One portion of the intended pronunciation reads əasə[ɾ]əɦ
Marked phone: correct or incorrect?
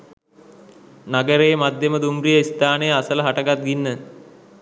incorrect